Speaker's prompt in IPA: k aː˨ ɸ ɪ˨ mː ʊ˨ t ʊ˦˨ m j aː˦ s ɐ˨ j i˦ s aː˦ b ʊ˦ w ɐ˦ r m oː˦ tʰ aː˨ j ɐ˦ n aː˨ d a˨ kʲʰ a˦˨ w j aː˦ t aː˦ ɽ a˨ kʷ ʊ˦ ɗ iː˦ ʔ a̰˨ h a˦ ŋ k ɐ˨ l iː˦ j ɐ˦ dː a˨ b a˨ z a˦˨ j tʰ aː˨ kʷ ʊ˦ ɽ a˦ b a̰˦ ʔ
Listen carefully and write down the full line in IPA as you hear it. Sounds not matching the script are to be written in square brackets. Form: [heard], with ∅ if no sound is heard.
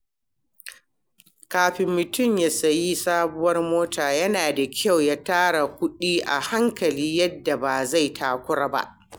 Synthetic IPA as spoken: k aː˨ ɸ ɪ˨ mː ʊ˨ t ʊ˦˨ m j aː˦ s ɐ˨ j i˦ s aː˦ b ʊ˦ w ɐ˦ r m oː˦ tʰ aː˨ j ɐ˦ n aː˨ d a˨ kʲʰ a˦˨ w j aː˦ t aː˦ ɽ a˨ kʷ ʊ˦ ɗ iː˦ ʔ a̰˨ h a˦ ŋ k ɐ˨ l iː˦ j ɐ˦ dː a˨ b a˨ z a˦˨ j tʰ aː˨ kʷ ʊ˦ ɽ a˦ b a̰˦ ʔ

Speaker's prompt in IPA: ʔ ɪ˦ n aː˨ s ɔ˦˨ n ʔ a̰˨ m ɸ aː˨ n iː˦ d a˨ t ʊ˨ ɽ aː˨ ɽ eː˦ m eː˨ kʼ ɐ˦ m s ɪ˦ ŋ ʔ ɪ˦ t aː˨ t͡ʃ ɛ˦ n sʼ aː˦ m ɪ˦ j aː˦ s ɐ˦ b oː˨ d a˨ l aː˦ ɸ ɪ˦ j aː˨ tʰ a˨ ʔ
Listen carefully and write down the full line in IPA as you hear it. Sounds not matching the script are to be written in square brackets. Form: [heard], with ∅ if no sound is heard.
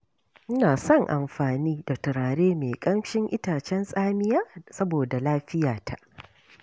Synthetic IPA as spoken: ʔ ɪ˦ n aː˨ s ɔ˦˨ [ŋ] ʔ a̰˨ m ɸ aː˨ n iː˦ d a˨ t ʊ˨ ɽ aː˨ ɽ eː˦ m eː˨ kʼ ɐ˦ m [ʃ] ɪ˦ ŋ ʔ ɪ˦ t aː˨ t͡ʃ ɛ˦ n sʼ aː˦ m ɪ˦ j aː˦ s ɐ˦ b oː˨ d a˨ l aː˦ ɸ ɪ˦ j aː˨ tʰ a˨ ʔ

